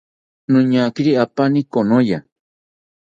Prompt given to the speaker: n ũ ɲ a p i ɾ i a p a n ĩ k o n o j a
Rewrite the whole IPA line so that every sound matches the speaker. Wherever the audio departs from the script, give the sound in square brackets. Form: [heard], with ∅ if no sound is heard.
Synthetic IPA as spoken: n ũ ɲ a [k] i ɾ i a p a n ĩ k o n o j a